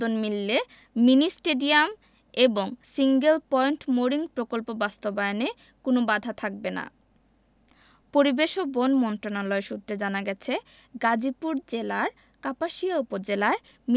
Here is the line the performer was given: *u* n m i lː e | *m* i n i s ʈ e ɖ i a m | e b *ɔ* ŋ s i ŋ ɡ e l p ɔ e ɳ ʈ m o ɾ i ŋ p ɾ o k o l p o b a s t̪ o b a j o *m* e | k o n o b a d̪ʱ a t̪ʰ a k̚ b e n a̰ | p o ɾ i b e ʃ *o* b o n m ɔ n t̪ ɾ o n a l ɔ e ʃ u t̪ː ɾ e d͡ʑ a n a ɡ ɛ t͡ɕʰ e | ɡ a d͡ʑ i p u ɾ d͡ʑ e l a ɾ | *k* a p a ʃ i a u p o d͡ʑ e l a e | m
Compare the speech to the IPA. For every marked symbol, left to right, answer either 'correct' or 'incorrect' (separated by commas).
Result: incorrect, correct, incorrect, incorrect, correct, correct